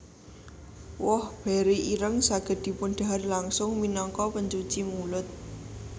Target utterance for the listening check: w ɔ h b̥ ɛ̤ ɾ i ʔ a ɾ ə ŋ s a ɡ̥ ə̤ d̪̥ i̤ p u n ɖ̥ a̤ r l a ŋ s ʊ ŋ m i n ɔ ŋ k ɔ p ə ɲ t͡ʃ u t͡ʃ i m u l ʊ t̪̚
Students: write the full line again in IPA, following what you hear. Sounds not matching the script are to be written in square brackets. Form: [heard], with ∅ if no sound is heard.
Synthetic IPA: w ɔ h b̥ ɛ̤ ɾ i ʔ [i] ɾ ə ŋ s a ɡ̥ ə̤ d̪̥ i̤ p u n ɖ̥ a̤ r l a ŋ s ʊ ŋ m i n ɔ ŋ k ɔ p ə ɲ t͡ʃ u t͡ʃ i m u l ʊ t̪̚